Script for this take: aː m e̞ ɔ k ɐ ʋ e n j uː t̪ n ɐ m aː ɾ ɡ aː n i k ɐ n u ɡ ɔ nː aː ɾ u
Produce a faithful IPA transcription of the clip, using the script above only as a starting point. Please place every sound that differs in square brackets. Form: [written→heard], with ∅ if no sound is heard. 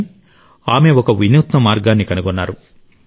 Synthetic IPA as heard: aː m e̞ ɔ k ɐ ʋ [e→i] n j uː t̪ n ɐ m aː ɾ ɡ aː [n→nː] i k ɐ n u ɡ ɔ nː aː ɾ u